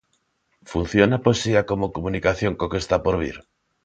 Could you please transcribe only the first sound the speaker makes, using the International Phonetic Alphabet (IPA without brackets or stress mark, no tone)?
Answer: f